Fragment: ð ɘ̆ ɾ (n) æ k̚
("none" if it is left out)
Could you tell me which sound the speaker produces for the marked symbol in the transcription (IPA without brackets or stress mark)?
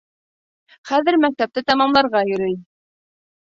m